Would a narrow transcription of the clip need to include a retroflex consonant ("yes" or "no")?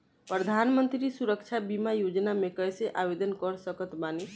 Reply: no